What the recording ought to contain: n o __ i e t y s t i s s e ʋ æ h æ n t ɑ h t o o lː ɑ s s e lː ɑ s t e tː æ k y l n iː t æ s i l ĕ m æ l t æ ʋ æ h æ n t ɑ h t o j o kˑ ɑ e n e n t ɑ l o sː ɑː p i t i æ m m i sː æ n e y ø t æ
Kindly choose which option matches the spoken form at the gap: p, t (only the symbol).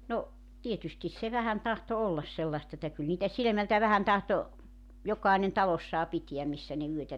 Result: t